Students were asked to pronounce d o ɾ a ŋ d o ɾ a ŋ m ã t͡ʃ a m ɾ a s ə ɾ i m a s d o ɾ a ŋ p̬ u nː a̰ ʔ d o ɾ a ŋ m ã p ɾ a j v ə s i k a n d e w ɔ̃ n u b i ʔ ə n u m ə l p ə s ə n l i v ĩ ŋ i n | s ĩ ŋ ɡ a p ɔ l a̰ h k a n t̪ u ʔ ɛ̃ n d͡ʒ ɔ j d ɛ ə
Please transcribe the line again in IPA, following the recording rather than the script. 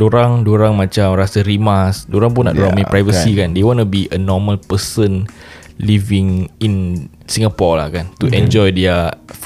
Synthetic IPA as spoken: d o ɾ a ŋ d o ɾ a ŋ m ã t͡ʃ a m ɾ a s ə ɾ i m a s d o ɾ a ŋ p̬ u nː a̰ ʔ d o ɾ a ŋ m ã p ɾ a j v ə s i k a n d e w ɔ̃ n u b i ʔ ə n ɔ m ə l p ə s ə n l i v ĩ ŋ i n | s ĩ ŋ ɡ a p ɔ l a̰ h k a n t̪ u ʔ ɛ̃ n d͡ʒ ɔ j d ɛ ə